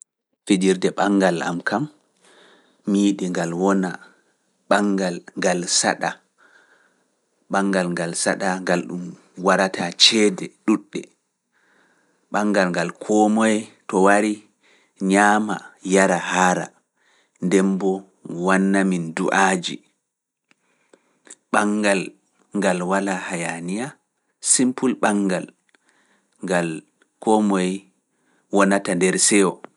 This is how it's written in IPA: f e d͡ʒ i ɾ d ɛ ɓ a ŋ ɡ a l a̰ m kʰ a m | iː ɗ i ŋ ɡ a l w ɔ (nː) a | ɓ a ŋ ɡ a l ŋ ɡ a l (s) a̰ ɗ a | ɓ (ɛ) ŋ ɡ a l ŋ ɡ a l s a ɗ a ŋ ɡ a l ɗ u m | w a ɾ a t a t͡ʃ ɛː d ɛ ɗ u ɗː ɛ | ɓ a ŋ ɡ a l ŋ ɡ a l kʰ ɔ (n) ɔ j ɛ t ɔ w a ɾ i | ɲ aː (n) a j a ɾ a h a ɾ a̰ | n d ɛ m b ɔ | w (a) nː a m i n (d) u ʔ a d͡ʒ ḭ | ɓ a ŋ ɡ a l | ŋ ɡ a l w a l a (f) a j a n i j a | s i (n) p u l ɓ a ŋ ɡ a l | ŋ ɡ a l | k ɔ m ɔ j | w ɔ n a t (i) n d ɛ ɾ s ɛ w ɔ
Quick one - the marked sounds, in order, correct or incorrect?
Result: incorrect, correct, incorrect, incorrect, incorrect, correct, correct, incorrect, incorrect, incorrect

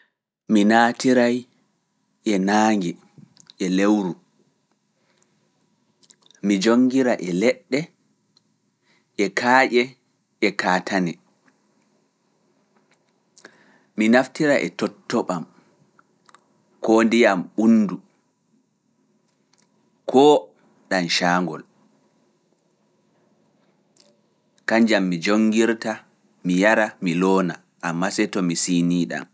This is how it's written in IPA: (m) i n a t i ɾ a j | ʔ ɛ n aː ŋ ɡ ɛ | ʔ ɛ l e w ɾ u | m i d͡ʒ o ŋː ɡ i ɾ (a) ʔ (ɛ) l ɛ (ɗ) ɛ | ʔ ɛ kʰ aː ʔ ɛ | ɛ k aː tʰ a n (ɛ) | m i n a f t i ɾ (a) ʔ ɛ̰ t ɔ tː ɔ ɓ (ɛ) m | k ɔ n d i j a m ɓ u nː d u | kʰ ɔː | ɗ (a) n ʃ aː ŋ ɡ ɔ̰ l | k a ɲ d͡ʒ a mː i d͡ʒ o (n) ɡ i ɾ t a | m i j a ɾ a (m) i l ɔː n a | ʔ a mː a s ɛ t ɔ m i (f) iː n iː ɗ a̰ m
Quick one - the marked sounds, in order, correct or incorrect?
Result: correct, correct, correct, incorrect, correct, correct, incorrect, correct, incorrect, correct, incorrect

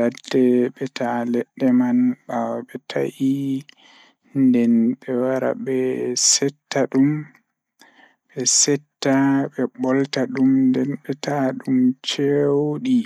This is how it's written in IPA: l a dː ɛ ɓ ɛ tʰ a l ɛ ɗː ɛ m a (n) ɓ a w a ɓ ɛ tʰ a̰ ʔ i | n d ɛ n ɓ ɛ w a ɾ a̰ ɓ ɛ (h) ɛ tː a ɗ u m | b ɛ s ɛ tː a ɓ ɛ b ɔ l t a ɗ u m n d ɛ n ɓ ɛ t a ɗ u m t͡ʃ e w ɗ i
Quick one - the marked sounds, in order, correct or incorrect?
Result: correct, incorrect

